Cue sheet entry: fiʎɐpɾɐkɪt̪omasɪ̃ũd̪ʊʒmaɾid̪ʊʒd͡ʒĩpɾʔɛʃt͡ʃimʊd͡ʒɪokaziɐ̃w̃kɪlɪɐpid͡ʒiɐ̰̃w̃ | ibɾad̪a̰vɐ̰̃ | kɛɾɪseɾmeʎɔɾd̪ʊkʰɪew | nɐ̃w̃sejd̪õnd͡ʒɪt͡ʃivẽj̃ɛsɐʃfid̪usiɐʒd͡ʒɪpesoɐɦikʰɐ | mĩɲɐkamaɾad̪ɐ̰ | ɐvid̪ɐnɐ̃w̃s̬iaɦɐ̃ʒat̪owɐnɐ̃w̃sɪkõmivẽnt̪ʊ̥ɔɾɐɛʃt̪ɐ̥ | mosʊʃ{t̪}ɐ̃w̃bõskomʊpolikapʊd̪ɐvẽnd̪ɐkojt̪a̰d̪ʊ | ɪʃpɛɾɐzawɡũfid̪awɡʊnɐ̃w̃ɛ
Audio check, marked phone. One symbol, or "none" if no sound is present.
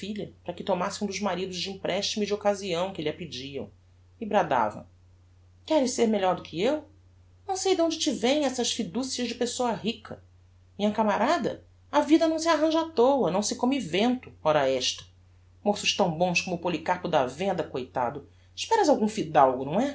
t̪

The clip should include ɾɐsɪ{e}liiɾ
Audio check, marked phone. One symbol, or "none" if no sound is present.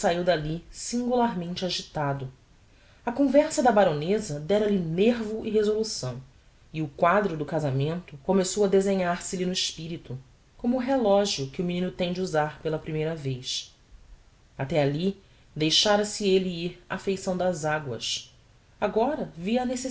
e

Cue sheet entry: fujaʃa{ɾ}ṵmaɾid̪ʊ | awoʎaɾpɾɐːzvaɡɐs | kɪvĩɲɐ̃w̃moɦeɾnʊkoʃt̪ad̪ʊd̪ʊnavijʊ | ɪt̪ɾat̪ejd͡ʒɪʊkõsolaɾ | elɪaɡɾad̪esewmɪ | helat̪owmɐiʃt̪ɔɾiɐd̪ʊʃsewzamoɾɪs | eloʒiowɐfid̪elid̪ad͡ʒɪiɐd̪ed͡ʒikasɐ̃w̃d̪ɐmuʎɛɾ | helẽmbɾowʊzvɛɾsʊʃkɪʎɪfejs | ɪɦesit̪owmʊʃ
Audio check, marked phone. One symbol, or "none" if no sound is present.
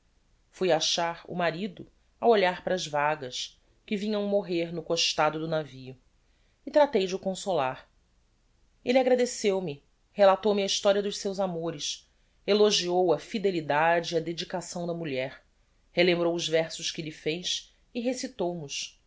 ɾ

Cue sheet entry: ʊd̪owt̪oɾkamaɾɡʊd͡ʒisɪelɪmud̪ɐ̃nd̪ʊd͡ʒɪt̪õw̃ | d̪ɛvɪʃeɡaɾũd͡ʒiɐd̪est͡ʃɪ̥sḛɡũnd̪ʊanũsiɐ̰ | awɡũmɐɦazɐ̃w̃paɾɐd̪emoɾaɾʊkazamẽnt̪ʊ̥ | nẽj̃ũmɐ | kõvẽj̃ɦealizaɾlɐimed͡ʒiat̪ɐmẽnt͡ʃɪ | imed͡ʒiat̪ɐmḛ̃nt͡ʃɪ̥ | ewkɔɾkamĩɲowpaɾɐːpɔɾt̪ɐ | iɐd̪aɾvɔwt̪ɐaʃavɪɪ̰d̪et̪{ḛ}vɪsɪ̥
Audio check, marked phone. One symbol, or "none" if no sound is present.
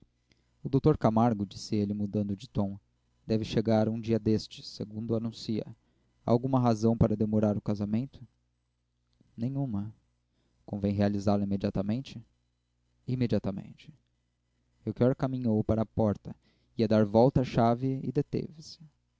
ḛ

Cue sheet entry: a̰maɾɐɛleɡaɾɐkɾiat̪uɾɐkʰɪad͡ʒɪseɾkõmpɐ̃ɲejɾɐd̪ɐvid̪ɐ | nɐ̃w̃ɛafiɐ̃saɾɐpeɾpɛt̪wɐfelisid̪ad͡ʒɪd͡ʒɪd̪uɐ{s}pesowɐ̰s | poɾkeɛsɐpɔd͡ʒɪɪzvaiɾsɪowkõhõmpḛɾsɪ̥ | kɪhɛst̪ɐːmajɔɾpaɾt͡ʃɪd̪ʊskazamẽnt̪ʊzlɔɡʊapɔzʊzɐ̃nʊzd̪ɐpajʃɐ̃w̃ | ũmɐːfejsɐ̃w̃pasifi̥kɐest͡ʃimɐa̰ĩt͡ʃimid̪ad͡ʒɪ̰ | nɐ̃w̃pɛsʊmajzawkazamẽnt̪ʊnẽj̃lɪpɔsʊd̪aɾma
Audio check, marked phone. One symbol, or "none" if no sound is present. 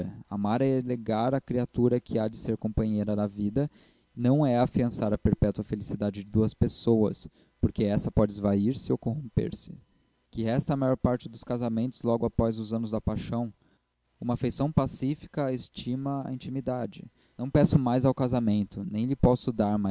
s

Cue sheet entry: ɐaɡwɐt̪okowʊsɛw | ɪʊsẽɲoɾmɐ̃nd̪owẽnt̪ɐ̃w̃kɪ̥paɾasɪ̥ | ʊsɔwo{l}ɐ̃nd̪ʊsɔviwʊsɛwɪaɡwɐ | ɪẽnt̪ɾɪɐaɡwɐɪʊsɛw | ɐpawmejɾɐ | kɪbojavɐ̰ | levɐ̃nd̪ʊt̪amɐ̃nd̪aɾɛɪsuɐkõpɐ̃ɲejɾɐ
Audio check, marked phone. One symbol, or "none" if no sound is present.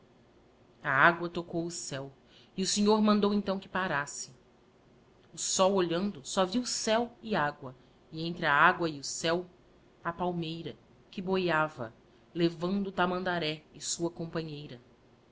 ʎ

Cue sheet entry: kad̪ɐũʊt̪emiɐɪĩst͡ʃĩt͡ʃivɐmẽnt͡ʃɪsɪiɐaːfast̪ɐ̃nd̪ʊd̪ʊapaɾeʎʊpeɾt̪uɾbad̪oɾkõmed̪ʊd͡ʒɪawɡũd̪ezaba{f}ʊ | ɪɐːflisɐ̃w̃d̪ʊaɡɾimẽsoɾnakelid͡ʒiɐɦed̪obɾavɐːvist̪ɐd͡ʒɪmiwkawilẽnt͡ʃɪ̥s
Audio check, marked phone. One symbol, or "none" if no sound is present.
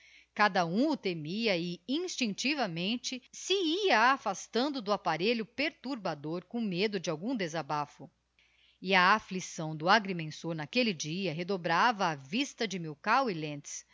f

